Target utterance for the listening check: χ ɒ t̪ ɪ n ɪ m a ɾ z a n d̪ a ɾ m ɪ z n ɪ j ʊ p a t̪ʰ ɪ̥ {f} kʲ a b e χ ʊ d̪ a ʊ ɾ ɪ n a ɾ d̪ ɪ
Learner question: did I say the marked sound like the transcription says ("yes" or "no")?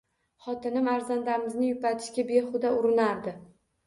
no